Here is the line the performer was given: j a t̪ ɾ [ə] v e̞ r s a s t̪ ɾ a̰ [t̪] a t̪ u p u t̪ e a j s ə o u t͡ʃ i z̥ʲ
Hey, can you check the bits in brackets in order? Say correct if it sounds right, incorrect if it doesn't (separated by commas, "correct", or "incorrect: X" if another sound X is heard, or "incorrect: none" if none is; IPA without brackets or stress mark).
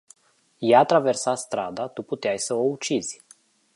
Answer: incorrect: a, incorrect: d̪